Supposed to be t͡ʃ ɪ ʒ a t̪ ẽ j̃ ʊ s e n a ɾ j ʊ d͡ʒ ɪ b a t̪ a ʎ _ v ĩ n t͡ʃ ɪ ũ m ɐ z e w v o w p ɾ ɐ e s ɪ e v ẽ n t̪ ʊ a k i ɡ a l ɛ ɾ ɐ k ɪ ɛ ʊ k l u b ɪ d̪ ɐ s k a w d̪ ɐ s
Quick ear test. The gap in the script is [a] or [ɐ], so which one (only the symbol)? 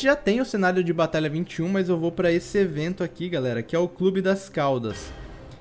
ɐ